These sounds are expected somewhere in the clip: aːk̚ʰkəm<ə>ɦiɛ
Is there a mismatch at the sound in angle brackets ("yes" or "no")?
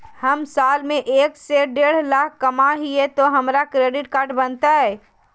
yes